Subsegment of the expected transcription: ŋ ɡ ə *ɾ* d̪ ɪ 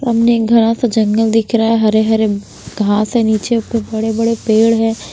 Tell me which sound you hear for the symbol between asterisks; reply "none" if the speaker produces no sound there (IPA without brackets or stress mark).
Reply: l